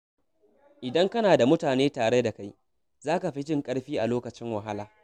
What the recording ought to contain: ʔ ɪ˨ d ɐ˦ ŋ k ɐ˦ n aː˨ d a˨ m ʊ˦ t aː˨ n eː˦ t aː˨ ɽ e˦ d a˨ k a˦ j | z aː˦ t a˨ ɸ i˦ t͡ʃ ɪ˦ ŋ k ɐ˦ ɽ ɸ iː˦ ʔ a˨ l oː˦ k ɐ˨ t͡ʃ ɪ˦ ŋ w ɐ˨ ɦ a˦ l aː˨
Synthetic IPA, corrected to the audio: ʔ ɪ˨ d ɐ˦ ŋ k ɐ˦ n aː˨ d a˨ m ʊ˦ t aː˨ n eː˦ t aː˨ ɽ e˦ d a˨ k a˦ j | z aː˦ k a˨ ɸ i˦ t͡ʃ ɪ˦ ŋ kʼ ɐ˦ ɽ ɸ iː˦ ʔ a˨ l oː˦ k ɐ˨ t͡ʃ ɪ˦ ŋ w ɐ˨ ɦ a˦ l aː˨